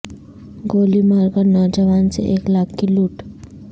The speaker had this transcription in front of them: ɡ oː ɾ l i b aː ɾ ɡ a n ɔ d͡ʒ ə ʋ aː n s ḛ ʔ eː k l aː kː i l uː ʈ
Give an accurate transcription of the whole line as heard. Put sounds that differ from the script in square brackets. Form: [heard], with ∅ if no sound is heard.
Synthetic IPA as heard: ɡ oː [∅] l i [m] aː ɾ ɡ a n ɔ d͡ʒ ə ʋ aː n s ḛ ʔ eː k l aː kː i l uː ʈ